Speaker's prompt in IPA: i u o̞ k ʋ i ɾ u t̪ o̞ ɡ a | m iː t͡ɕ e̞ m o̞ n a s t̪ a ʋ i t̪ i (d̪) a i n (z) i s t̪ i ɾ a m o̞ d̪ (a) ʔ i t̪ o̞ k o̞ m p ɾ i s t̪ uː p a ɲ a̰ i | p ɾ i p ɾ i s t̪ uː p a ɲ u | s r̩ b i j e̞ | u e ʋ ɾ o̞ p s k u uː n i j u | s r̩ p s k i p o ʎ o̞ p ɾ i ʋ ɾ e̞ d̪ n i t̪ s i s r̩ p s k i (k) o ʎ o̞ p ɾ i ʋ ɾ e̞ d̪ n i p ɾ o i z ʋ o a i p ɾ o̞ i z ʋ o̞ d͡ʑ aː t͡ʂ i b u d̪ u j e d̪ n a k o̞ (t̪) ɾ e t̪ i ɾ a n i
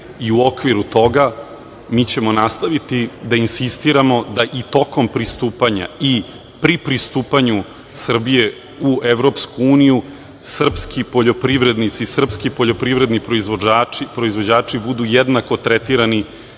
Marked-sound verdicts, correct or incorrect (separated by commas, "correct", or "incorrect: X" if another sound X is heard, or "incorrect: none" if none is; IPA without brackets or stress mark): correct, incorrect: s, correct, incorrect: p, correct